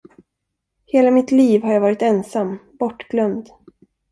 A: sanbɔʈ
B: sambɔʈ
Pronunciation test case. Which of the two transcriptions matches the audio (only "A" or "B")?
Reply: B